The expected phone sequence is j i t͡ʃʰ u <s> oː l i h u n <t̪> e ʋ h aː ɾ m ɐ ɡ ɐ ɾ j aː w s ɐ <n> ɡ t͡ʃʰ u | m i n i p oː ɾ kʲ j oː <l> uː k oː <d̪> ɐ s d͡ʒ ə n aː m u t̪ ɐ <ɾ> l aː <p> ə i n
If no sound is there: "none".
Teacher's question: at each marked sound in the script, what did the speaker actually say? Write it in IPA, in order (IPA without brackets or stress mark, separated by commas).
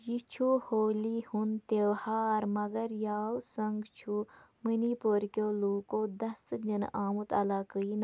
h, t̪, ŋ, l, d̪, none, k